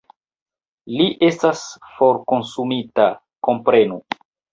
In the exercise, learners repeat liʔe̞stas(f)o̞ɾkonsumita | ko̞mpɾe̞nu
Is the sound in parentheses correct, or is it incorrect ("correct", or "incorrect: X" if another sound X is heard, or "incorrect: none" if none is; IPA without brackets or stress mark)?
correct